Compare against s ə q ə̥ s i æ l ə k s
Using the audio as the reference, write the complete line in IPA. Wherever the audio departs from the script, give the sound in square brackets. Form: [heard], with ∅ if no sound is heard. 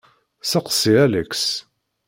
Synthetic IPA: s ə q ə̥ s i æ l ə k s

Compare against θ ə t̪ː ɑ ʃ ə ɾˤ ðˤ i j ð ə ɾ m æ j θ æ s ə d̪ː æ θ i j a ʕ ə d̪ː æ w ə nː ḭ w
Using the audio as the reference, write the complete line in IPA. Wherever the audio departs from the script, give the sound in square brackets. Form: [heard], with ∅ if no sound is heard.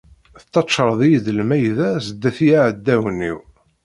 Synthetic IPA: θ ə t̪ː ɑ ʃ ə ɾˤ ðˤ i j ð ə [l] m æ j [ð] æ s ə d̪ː æ θ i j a ʕ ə d̪ː æ w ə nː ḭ w

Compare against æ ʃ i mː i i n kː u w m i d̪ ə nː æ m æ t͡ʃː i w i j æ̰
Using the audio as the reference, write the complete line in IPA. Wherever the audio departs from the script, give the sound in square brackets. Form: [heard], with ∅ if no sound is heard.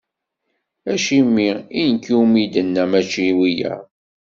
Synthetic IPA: æ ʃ i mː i i n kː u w m i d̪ ə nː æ m æ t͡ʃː i w i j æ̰

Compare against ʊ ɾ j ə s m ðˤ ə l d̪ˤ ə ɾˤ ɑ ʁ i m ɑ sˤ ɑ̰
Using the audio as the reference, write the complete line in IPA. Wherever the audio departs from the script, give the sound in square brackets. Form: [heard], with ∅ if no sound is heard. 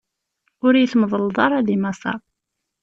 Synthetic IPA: ʊ ɾ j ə [θ] m ðˤ ə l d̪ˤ [ɑ] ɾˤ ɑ [ð] i m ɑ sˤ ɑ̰

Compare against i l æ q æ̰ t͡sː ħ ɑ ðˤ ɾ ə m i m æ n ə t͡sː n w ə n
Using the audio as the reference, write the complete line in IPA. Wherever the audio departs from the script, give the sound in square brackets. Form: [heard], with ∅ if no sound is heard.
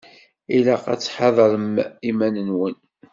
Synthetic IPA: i l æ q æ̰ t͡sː ħ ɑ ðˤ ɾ ə m i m æ n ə [∅] n w ə n

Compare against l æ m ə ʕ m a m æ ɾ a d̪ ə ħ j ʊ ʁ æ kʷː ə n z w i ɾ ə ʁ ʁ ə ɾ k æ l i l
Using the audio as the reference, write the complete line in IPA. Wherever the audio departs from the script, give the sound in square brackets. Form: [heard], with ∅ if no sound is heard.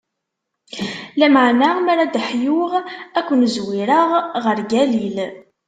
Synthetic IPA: l æ m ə ʕ [n] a m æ ɾ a d̪ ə ħ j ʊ ʁ æ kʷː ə n z w i ɾ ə ʁ ʁ ə ɾ [ɡ] æ l i l

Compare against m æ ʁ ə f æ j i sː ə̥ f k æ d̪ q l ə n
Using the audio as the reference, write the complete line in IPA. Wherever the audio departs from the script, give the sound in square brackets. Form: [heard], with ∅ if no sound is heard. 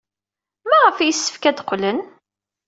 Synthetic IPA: m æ ʁ ə f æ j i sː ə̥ f k æ d̪ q l ə n

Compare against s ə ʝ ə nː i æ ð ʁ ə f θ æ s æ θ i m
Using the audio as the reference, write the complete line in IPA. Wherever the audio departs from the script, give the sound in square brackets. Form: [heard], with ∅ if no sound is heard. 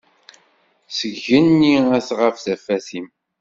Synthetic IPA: s ə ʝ ə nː i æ [θ] ʁ ə f θ æ [f] æ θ i m

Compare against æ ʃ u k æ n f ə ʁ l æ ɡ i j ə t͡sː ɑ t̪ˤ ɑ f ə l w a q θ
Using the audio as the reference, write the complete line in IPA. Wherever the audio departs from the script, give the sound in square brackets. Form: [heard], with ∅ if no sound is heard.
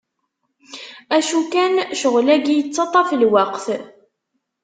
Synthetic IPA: æ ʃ u k æ n [ʃ] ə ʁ l æ ɡ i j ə t͡sː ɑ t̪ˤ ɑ f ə l w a q θ

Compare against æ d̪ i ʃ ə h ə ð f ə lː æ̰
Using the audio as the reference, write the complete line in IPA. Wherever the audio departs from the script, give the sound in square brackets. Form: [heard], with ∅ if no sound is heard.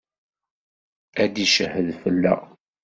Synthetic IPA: æ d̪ i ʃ ə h ə ð f ə lː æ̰

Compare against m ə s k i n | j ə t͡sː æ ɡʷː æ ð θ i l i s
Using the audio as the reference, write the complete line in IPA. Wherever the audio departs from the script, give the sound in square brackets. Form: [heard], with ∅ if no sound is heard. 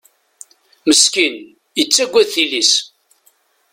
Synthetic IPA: m ə s k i n | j ə t͡sː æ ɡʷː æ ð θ i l i s

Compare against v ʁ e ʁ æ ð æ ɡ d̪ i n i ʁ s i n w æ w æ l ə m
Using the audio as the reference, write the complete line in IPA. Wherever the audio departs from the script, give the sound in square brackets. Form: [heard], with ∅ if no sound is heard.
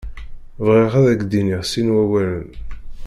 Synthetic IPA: v ʁ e ʁ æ ð æ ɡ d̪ i n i ʁ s i n w æ w æ l ə [n]

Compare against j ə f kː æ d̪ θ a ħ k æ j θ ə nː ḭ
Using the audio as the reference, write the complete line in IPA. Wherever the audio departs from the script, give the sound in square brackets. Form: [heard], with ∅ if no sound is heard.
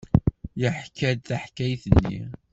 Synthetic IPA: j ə [ħ] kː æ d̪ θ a ħ k æ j θ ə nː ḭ

